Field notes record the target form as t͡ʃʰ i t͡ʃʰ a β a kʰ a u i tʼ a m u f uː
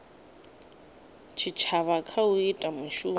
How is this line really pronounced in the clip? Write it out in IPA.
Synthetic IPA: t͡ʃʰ i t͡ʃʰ a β a kʰ a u i tʼ a m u ʃ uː

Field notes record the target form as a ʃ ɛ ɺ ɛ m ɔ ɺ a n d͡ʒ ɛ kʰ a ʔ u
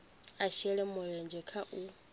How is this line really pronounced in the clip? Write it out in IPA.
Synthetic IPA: a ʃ ɛ ɺ ɛ m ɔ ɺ ɛ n d͡ʒ ɛ kʰ a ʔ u

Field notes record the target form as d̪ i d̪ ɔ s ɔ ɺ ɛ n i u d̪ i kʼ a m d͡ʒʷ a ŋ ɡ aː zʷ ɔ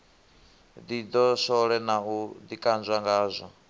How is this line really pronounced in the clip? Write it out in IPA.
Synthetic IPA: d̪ i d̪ ɔ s ɔ ɺ ɛ n a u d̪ i kʼ a n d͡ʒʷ a ŋ ɡ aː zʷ ɔ

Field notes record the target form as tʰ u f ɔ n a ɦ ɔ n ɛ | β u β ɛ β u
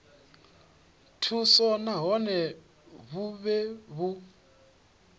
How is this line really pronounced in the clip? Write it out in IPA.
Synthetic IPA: tʰ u s ɔ n a ɦ ɔ n ɛ | β u β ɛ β u

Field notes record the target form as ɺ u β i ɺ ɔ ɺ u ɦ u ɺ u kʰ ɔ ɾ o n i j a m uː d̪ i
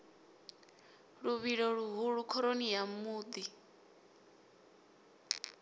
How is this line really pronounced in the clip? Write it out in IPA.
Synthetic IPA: ɺ u β i ɺ ɔ ɺ u ɦ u ɺ u kʰ ɔ ɾ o n i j a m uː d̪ i

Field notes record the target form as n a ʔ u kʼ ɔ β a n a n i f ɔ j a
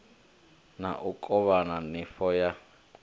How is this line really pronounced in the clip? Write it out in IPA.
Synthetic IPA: n a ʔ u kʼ ɔ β a n a n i f ɔ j a

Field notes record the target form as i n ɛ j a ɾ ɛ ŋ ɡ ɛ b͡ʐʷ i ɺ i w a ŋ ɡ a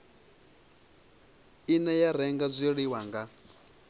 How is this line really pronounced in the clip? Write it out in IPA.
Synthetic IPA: i n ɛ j a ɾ ɛ ŋ ɡ a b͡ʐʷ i ɺ i w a ŋ ɡ a

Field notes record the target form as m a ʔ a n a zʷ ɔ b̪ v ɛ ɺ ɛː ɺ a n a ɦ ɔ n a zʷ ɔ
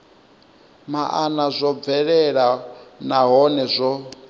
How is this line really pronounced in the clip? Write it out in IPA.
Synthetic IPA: m a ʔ a n a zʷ ɔ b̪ v ɛ ɺ ɛ ɺ a n a ɦ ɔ n ɛ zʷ ɔ

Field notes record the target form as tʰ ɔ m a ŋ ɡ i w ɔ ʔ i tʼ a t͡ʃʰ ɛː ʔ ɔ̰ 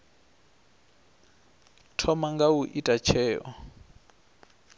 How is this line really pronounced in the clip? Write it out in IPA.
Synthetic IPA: tʰ ɔ m a ŋ ɡ a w u ʔ i tʼ a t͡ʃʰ ɛː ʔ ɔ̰

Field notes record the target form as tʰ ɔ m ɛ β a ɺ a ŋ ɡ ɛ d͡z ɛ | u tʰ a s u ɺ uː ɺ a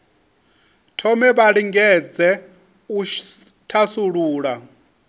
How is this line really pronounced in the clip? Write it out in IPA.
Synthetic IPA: tʰ ɔ m ɛ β a ɺ i ŋ ɡ ɛ d͡z ɛ | u tʰ a s u ɺ uː ɺ a

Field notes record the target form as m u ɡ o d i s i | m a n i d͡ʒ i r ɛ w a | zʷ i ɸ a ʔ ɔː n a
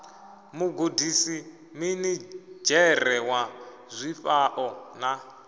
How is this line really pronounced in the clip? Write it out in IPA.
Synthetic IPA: m u ɡ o d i s i | m i n i d͡ʒ ɛ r ɛ w a | zʷ i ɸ a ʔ ɔ n a

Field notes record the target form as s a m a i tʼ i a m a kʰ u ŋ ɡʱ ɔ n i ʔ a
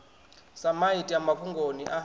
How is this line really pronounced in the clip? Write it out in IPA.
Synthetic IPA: s a m a i tʼ i a m a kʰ u ŋ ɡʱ o n i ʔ a

